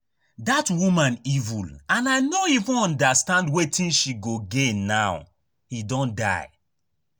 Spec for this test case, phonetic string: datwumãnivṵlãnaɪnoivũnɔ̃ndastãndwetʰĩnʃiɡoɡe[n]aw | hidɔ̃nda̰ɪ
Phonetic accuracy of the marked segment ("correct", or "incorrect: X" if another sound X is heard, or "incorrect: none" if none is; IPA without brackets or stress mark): correct